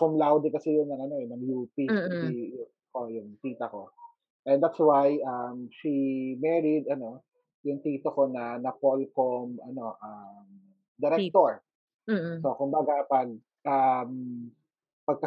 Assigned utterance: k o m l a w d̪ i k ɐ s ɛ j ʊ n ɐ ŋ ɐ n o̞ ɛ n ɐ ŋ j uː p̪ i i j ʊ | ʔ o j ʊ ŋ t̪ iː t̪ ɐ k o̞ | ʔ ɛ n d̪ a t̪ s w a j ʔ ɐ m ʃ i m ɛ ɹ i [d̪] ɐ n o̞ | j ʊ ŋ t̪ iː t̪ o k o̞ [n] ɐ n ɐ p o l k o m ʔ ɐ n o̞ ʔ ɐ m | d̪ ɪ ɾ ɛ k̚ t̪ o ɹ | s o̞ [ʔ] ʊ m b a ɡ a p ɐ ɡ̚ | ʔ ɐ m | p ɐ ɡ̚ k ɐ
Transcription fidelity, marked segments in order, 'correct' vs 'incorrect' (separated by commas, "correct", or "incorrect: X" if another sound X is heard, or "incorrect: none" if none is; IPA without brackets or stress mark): correct, correct, incorrect: k